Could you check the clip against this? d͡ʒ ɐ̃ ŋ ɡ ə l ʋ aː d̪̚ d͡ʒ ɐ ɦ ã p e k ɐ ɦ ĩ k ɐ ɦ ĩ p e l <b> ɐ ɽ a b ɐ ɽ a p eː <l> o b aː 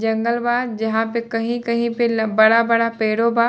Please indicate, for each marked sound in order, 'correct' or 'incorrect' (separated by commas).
correct, incorrect